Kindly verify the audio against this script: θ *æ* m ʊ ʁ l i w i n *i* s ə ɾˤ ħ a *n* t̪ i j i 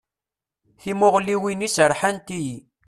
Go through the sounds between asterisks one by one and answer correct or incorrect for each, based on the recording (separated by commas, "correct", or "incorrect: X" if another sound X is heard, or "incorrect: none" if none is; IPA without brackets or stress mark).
incorrect: i, correct, correct